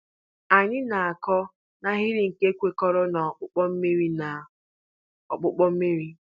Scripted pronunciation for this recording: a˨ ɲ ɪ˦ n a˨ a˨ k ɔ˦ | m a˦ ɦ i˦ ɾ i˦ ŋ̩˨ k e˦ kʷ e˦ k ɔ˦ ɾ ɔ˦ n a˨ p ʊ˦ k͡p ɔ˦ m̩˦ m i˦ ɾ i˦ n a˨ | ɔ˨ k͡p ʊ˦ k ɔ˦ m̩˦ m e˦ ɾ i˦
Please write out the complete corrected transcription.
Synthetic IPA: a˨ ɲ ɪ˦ n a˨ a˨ k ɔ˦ | n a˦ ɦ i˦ ɾ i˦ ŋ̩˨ k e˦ kʷ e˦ k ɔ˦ ɾ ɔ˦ n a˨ k͡p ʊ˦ k͡p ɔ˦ m̩˦ m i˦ ɾ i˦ n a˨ | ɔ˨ k͡p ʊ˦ k͡p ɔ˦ m̩˦ m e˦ ɾ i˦